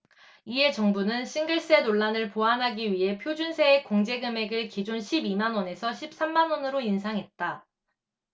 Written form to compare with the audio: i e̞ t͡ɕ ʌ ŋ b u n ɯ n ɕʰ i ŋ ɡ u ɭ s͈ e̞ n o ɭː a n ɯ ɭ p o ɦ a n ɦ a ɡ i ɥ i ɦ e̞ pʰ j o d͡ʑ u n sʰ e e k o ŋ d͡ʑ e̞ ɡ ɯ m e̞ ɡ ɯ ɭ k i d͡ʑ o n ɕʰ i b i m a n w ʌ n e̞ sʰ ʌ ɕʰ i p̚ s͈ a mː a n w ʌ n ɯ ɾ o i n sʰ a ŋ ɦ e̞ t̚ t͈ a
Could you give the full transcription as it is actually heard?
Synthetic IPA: i e̞ t͡ɕ ʌ ŋ b u n ɯ n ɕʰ i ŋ ɡ ɯ ɭ s͈ e̞ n o ɭː a n ɯ ɭ p o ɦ a n ɦ a ɡ i ɥ i ɦ e̞ pʰ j o d͡ʑ u n sʰ e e k o ŋ d͡ʑ e̞ ɡ ɯ m e̞ ɡ ɯ ɭ k i d͡ʑ o n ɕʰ i b i m a n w ʌ n e̞ sʰ ʌ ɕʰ i p̚ s͈ a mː a n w ʌ n ɯ ɾ o i n sʰ a ŋ ɦ e̞ t̚ t͈ a